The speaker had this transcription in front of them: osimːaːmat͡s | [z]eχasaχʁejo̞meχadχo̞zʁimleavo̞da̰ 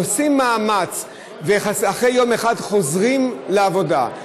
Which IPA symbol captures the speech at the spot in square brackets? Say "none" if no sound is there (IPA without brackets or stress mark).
v